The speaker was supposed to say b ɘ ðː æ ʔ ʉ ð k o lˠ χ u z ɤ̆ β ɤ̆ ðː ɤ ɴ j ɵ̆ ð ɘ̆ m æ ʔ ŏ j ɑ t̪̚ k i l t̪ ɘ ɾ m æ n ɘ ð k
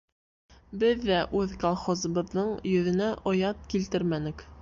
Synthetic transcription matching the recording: b ɘ ðː æ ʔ ʉ ð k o lˠ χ o z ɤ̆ β ɤ̆ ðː ɤ ɴ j ɵ̆ ð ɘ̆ n æ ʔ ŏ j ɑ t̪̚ k i l t̪ ɘ ɾ m æ n ɘ k